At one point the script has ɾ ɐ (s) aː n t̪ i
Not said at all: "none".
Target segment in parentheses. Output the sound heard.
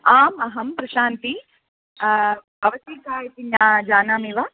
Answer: ʃ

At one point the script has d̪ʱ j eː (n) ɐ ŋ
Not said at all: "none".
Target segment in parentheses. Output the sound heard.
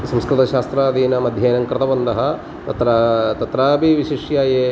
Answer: n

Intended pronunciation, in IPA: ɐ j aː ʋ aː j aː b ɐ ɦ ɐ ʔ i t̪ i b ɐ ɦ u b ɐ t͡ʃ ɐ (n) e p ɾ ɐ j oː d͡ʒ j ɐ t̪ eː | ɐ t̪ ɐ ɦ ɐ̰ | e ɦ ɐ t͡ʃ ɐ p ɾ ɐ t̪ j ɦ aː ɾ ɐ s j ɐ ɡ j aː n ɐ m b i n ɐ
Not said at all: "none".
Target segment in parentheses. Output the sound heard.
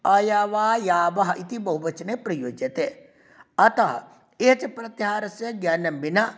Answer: n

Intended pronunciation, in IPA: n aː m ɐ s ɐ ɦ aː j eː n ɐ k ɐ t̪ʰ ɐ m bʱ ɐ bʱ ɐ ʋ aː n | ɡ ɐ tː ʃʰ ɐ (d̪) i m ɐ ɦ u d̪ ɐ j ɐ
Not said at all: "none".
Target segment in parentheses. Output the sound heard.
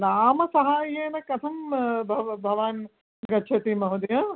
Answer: t̪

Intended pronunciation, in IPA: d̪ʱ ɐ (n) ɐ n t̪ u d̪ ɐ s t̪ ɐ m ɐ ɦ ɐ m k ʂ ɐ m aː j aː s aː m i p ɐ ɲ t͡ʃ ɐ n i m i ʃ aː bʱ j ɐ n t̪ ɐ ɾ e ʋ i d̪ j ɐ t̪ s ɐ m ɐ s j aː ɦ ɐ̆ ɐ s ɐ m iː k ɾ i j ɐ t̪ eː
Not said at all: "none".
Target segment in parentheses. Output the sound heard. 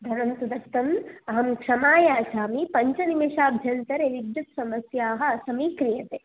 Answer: n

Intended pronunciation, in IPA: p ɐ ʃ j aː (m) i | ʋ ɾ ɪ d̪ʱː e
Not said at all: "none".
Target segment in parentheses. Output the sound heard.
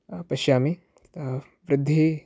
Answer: m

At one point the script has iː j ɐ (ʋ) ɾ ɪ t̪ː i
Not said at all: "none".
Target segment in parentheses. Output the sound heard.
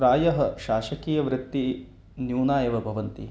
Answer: ʋ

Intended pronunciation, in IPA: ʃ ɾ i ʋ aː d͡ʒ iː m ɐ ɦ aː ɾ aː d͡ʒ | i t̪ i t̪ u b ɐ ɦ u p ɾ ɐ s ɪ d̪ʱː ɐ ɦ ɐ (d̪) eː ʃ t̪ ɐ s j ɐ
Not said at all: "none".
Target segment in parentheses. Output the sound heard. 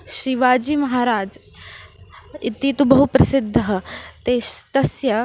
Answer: t̪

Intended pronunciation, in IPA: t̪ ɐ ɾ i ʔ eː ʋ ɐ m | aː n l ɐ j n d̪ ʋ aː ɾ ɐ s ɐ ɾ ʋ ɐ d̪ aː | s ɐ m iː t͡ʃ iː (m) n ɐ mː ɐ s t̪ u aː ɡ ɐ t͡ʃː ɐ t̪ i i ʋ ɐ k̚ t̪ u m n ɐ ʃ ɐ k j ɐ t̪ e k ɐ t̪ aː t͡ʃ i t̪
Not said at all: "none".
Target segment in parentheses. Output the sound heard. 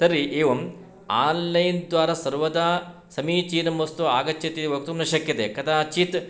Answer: none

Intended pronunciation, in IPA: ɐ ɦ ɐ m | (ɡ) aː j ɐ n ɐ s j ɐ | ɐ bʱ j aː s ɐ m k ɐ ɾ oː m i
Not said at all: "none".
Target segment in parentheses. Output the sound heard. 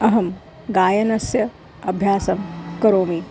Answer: ɡ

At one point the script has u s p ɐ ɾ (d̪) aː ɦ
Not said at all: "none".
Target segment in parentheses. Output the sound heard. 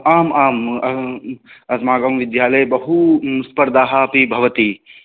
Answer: d̪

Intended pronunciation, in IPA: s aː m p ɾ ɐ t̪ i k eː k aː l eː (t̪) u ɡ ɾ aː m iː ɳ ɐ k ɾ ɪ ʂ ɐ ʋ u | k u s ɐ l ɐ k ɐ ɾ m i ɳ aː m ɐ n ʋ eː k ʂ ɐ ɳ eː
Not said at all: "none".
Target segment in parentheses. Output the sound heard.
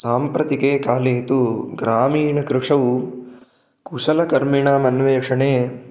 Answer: t̪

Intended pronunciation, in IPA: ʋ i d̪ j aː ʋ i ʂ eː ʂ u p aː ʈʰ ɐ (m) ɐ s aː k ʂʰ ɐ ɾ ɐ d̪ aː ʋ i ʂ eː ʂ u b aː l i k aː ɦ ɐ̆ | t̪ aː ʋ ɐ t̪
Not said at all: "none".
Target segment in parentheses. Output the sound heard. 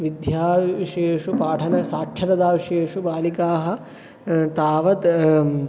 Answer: n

